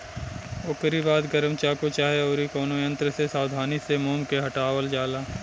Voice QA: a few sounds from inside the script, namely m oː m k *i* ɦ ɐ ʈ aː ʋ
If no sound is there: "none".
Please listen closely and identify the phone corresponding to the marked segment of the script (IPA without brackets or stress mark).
e